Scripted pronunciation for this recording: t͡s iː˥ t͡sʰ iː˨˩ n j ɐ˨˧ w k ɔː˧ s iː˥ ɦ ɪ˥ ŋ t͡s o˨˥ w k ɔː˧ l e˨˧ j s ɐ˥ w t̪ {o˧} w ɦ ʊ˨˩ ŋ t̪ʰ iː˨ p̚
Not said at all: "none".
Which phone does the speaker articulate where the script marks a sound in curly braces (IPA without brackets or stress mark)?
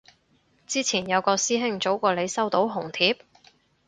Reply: o˨˥